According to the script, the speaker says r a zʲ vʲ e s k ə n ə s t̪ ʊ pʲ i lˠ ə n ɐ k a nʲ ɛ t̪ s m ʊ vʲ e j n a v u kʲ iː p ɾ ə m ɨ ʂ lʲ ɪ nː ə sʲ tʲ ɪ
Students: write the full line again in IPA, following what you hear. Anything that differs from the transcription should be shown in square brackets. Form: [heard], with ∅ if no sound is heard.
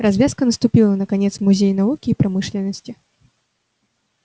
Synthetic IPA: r a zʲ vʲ [a] s k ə n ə s t̪ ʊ pʲ i lˠ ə n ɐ k a nʲ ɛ t̪ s m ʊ [zʲ] e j n a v u kʲ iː p ɾ [a] m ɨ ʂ lʲ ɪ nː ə sʲ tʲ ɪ